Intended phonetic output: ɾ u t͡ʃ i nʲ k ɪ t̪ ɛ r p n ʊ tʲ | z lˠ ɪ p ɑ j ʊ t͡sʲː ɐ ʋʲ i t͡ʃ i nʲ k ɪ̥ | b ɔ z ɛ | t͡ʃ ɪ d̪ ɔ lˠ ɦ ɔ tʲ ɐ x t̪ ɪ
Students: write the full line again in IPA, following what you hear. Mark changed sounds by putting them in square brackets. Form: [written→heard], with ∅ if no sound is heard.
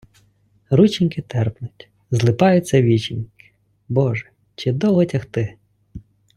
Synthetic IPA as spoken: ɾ u t͡ʃ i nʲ k ɪ t̪ ɛ r p n ʊ tʲ | z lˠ ɪ p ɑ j ʊ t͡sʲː ɐ ʋʲ i t͡ʃ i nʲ k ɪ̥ | b ɔ [z→ʒ] ɛ | t͡ʃ ɪ d̪ ɔ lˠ ɦ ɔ tʲ ɐ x t̪ ɪ